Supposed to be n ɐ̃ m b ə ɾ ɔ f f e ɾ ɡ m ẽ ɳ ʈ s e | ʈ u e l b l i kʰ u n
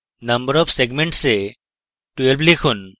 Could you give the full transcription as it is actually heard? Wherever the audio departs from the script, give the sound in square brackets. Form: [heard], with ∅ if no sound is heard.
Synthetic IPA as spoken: n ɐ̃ m b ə ɾ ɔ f [s] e [∅] ɡ m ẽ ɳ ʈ s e | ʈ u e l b l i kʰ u n